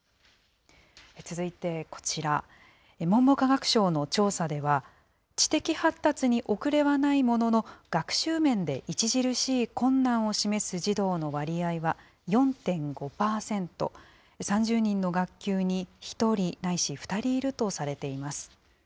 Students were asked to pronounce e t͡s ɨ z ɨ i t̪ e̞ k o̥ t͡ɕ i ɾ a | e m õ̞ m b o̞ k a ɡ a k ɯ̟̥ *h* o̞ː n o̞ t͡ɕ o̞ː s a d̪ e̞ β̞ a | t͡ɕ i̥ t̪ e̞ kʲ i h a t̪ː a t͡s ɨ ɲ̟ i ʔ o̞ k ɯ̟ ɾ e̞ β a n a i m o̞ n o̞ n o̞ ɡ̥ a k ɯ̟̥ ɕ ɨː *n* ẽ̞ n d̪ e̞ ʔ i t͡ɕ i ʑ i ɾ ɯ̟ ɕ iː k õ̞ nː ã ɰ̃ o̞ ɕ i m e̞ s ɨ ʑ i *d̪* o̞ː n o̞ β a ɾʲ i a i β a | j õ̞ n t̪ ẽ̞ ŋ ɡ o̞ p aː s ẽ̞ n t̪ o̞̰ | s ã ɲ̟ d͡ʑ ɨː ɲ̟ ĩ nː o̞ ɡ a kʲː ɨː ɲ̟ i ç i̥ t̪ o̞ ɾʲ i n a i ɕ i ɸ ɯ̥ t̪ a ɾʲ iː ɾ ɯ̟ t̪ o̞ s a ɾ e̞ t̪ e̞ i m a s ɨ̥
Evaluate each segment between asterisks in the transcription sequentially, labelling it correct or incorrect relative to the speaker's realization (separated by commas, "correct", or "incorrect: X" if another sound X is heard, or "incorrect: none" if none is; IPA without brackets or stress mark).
incorrect: ɕ, incorrect: m, correct